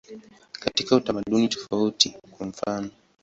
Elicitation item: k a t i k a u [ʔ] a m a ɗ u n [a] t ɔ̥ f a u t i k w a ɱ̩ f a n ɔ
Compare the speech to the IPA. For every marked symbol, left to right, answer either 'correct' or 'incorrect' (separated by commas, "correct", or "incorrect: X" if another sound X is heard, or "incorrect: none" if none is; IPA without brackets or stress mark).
incorrect: t, incorrect: i